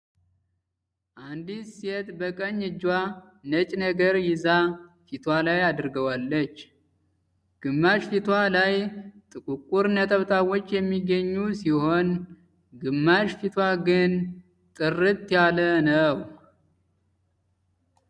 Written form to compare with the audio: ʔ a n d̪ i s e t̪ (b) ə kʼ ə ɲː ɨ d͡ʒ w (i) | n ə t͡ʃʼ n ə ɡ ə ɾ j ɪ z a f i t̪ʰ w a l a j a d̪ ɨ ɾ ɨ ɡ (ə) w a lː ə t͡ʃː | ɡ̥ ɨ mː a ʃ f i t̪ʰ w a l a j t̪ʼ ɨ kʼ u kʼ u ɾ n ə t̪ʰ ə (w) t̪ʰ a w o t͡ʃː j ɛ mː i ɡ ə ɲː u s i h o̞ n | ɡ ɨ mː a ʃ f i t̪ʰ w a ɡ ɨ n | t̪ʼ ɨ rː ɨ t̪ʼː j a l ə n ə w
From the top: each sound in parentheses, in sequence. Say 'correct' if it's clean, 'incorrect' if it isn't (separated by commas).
correct, incorrect, correct, incorrect